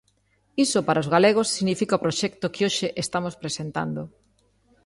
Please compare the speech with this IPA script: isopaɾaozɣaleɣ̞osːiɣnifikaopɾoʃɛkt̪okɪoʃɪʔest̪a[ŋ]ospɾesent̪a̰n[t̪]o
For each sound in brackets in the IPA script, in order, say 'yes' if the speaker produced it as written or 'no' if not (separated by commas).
no, no